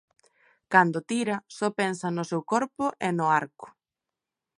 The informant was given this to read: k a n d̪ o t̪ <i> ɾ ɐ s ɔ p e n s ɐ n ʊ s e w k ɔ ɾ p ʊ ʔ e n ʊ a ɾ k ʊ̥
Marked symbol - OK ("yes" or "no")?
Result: yes